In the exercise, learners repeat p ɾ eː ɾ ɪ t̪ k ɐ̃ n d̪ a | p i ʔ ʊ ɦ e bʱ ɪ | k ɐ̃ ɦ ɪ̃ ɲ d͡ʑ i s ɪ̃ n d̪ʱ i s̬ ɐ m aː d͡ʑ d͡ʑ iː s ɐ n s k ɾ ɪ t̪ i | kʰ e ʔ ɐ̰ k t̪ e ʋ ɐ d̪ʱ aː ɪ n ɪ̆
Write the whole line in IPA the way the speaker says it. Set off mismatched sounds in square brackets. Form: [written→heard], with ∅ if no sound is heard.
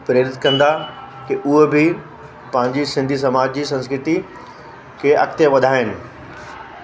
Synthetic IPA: p ɾ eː ɾ ɪ t̪ k ɐ̃ n d̪ a | [p→k] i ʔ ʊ ɦ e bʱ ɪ | [k→p] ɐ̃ ɦ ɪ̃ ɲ d͡ʑ i s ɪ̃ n d̪ʱ i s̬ ɐ m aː d͡ʑ d͡ʑ iː s [ɐ→ɐ̃] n s k ɾ ɪ t̪ i | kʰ e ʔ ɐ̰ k t̪ e ʋ ɐ d̪ʱ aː ɪ n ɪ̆